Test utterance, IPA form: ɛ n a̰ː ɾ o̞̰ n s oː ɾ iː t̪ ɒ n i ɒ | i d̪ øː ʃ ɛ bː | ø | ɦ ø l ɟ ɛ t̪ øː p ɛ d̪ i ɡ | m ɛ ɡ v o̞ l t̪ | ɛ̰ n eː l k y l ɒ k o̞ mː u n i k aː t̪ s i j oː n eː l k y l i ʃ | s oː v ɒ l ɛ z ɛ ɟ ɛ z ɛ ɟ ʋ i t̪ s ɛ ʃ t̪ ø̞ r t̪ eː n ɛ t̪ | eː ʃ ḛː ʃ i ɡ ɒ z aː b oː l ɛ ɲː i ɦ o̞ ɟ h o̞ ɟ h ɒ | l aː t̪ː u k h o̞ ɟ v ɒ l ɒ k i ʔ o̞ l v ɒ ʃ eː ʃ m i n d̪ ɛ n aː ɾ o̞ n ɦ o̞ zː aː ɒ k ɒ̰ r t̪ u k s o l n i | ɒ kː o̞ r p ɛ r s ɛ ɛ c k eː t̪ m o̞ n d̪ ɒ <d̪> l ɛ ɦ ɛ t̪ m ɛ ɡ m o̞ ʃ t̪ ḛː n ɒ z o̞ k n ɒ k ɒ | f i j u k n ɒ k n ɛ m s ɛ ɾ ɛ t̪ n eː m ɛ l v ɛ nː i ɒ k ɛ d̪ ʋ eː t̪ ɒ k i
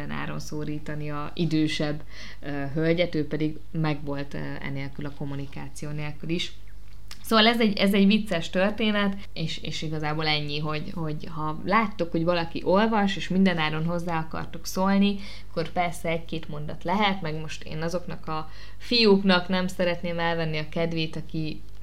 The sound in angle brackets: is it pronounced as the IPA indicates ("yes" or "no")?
no